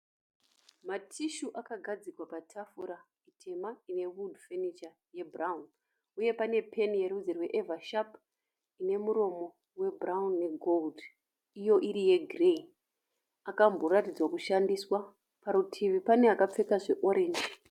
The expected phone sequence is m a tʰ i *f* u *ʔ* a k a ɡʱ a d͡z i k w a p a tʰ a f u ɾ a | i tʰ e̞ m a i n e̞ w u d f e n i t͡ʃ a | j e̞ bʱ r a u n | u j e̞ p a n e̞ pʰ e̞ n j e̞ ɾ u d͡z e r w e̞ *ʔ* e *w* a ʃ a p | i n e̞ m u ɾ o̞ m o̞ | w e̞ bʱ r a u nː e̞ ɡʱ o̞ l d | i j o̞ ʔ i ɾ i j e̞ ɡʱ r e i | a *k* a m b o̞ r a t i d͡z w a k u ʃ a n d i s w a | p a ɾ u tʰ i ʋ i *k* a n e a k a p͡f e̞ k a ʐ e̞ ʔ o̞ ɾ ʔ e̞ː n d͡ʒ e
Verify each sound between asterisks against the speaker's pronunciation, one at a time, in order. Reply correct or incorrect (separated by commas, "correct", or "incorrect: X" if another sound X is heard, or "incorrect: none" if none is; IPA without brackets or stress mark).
incorrect: ʃ, correct, correct, incorrect: v, correct, incorrect: p